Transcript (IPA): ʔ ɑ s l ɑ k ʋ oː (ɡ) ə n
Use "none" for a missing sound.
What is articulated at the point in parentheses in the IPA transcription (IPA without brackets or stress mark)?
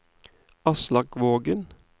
ɡ